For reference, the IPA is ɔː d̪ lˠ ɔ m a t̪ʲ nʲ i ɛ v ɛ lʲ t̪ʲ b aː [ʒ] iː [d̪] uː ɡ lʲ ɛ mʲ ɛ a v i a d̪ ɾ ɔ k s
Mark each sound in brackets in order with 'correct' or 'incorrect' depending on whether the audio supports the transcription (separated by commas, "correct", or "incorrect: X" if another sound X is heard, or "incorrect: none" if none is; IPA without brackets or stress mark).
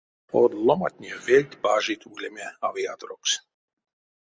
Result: correct, incorrect: t̪